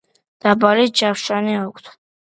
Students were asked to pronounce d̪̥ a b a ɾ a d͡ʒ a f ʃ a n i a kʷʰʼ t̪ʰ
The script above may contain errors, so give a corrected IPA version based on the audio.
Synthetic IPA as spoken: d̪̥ a b a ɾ i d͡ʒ a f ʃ a n i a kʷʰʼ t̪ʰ